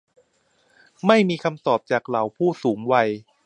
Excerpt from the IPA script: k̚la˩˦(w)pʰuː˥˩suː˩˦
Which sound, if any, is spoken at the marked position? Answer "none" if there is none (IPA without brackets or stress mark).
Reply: w